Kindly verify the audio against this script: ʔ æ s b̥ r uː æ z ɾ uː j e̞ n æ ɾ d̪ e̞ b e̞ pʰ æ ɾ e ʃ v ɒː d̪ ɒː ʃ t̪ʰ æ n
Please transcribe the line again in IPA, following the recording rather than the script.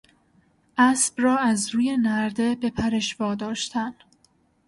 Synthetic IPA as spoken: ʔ æ s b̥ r ɒː æ z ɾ uː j e̞ n æ ɾ d̪ e̞ b e̞ pʰ æ ɾ e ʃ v ɒː d̪ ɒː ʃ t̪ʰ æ n

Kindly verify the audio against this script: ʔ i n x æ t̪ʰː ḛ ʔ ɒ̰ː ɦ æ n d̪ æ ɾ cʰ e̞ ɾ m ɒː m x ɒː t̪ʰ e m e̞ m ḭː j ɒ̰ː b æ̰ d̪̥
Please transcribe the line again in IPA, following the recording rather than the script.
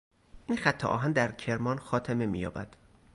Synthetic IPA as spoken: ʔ i n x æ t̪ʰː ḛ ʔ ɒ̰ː ɦ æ n d̪ æ ɾ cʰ e̞ ɾ m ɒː n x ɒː t̪ʰ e m e̞ m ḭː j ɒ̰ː b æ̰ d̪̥

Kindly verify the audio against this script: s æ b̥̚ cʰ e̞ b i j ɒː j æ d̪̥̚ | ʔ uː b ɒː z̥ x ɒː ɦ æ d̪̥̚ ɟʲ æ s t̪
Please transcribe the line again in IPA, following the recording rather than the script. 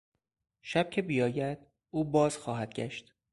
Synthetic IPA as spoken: ʃ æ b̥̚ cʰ e̞ b i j ɒː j æ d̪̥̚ | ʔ uː b ɒː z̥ x ɒː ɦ æ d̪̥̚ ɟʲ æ ʃ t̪

